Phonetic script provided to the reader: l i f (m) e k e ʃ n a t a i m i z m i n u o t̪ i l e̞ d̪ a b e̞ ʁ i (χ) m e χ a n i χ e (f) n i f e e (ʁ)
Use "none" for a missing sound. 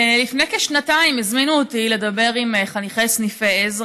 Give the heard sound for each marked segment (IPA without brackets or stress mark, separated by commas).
n, none, s, z